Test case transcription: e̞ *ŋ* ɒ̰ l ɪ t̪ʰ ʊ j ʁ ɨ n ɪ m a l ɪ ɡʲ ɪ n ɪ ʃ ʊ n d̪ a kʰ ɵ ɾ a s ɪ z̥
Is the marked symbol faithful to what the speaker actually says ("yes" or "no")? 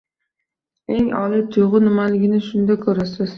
yes